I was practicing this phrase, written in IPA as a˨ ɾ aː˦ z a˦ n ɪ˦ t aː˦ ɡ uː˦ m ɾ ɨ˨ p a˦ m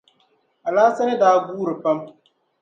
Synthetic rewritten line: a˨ l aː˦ s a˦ n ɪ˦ d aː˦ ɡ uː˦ ɾ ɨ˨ p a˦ m